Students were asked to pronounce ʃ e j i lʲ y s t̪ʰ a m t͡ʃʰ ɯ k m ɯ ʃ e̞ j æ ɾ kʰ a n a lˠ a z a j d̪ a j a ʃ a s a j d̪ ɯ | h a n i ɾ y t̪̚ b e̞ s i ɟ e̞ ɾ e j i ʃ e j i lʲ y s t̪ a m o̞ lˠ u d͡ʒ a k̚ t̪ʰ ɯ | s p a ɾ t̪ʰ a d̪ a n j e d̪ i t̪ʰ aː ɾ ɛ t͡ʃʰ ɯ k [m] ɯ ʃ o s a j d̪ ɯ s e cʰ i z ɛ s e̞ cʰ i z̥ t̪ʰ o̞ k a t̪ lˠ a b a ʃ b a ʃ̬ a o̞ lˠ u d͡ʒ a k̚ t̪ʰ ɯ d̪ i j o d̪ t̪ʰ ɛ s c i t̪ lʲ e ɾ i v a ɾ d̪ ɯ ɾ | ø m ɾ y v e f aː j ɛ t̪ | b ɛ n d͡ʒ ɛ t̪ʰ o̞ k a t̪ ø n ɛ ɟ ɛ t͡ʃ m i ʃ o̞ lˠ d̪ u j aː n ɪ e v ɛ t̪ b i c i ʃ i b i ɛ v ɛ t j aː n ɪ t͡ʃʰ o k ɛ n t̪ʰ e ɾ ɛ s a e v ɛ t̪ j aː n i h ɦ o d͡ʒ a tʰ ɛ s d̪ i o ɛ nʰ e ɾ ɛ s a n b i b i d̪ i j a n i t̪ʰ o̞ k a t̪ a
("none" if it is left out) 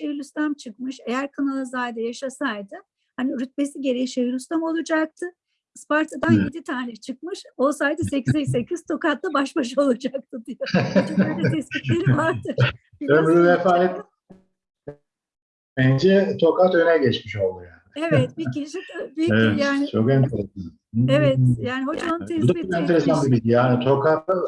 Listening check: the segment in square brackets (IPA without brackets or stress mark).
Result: m